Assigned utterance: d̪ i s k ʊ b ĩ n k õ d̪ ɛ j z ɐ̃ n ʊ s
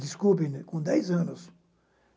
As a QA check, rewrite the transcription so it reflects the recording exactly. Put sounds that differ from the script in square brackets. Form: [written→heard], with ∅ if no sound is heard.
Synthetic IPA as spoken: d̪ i s k [ʊ→u] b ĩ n k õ d̪ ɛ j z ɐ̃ n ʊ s